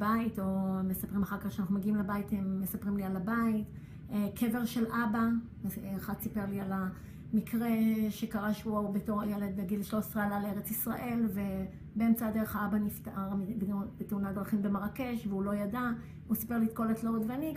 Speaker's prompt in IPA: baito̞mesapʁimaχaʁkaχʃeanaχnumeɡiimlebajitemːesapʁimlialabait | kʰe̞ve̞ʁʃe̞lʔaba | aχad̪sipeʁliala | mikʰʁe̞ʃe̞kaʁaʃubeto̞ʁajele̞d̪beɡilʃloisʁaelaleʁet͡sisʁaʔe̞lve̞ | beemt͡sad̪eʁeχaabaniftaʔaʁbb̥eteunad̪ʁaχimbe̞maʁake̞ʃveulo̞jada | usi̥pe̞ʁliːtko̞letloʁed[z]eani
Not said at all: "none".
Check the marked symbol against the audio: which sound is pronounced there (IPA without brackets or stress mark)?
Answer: v